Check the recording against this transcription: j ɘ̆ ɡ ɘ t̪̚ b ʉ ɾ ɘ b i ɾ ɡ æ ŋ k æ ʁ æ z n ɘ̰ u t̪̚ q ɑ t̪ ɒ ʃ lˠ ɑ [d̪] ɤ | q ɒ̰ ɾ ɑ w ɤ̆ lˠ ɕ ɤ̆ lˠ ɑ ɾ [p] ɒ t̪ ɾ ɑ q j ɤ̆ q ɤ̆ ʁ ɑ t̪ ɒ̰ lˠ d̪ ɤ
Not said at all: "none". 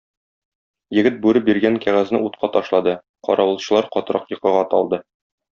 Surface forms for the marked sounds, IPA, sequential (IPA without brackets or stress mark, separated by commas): d̪, q